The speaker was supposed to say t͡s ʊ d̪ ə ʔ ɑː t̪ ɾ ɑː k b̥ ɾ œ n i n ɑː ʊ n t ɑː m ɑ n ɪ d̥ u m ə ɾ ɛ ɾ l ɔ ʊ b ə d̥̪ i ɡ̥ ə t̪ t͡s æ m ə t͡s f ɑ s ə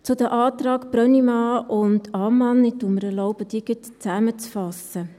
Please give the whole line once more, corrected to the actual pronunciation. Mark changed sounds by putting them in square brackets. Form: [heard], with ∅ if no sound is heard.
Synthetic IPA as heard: t͡s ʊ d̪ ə ʔ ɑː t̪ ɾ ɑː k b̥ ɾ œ n i [m] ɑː ʊ n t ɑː m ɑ n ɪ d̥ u m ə ɾ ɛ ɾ l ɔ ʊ b ə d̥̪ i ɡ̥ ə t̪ t͡s æ m ə t͡s f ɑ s ə